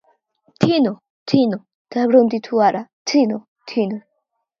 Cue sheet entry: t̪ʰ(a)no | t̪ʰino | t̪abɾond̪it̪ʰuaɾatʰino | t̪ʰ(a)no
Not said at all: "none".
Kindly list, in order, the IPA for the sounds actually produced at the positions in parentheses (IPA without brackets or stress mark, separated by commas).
i, i